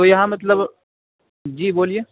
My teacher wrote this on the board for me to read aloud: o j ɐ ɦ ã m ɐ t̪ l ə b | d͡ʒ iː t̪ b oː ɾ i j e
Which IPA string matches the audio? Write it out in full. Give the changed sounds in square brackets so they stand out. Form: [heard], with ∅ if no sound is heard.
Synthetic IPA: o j ɐ ɦ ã m ɐ t̪ l ə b | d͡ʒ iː [∅] b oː [l] i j e

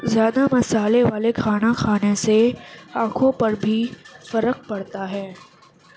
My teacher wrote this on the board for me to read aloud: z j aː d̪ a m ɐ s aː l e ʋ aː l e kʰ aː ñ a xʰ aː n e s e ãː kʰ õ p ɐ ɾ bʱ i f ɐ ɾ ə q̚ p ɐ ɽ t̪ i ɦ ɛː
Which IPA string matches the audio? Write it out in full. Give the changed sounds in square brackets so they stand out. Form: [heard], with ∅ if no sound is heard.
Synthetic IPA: z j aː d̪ a m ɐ s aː l e ʋ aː l e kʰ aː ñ a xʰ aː n e s e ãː kʰ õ p ɐ ɾ bʱ i f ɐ ɾ ə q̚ p ɐ ɽ t̪ [a] ɦ ɛː

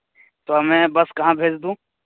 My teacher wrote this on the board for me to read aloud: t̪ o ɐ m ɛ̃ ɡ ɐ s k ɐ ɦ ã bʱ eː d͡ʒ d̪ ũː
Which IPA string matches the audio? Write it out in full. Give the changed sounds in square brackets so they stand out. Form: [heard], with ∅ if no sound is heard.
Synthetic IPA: t̪ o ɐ m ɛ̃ [b] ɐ s k ɐ ɦ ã bʱ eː d͡ʒ d̪ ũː

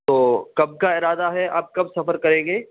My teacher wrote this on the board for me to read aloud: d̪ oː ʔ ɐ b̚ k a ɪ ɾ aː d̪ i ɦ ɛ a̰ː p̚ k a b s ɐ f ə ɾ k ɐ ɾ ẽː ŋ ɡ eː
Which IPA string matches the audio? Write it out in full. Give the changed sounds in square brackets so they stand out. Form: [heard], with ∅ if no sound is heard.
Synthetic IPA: [t̪] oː [k] ɐ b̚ k a ɪ ɾ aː d̪ [a] ɦ ɛ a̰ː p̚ k [ɐ] b s ɐ f ə ɾ k ɐ ɾ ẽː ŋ ɡ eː

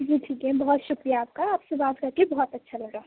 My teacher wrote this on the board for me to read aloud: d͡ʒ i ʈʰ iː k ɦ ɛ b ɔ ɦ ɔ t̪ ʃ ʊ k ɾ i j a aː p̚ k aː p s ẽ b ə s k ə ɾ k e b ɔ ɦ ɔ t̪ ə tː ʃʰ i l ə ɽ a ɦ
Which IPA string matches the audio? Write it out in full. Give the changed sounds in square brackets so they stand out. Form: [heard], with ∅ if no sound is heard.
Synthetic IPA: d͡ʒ i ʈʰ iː k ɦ ɛ b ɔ ɦ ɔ t̪ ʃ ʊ k ɾ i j a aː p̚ k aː p s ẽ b [a] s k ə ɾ k e b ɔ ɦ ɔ t̪ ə tː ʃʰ [a] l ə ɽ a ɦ

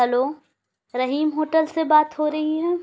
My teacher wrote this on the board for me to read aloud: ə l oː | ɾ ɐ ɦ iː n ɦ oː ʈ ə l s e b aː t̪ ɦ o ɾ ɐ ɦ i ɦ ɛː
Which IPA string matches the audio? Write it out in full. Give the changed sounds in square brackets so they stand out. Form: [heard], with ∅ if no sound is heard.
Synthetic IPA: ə l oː | ɾ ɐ ɦ iː [m] ɦ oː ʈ ə l s e b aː t̪ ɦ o ɾ ɐ ɦ i ɦ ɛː

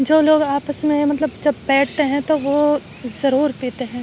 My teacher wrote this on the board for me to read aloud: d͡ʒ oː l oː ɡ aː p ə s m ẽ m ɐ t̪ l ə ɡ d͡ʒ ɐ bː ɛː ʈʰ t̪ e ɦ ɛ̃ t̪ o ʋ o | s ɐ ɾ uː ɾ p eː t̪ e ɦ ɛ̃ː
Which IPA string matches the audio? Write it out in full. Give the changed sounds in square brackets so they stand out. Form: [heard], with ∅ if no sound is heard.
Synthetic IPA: d͡ʒ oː l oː ɡ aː p ə s m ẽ m ɐ t̪ l ə [b] d͡ʒ ɐ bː ɛː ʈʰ t̪ e ɦ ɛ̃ t̪ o ʋ o | [z] ɐ ɾ uː ɾ p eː t̪ e ɦ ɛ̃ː

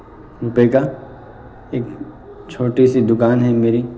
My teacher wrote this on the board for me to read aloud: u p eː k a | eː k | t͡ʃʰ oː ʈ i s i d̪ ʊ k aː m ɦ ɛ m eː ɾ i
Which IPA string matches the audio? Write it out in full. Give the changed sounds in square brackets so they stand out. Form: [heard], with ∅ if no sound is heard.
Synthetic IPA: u p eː k a | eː k | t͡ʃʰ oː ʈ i s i d̪ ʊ k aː [n] ɦ ɛ m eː ɾ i

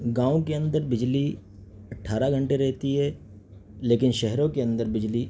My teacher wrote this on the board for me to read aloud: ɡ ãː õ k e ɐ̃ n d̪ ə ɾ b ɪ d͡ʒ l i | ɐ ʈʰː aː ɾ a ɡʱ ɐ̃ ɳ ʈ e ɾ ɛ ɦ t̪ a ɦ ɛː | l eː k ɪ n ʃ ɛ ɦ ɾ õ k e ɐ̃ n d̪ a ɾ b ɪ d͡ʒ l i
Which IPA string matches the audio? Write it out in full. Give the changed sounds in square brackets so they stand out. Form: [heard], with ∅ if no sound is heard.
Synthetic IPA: ɡ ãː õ k e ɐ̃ n d̪ ə ɾ b ɪ d͡ʒ l i | ɐ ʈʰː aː ɾ a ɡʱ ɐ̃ ɳ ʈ e ɾ ɛ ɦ t̪ [i] ɦ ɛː | l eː k ɪ n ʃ ɛ ɦ ɾ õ k e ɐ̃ n d̪ [ə] ɾ b ɪ d͡ʒ l i

